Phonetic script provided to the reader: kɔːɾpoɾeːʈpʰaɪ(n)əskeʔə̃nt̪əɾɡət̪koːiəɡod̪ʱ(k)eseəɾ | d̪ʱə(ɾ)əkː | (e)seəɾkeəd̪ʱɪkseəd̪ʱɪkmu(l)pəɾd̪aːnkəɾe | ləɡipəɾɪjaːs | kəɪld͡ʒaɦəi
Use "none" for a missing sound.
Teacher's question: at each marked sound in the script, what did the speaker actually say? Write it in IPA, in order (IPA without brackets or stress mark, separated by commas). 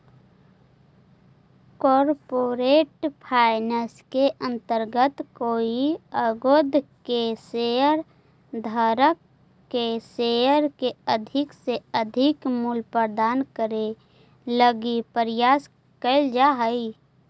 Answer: n, k, ɾ, e, l